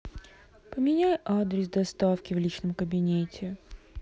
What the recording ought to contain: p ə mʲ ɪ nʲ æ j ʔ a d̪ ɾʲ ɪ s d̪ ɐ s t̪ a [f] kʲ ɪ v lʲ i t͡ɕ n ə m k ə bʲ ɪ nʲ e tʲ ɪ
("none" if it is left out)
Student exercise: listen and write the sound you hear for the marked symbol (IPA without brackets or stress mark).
f